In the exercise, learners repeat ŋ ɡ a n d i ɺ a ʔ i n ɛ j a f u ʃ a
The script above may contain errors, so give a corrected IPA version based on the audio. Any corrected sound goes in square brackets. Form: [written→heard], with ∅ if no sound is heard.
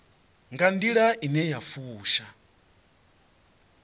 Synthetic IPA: ŋ ɡ a n d i ɺ a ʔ i n ɛ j a f [u→uː] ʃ a